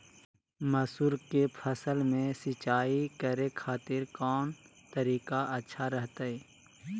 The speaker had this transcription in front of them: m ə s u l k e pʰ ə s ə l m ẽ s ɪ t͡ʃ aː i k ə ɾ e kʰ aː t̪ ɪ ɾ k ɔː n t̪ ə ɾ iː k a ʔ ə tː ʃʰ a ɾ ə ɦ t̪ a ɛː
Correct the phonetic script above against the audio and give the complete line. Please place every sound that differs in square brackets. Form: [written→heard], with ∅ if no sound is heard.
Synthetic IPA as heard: m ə s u [l→ɾ] k e pʰ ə s ə l m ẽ s ɪ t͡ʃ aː i k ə ɾ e kʰ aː t̪ ɪ ɾ k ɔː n t̪ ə ɾ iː k a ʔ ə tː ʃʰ a ɾ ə ɦ t̪ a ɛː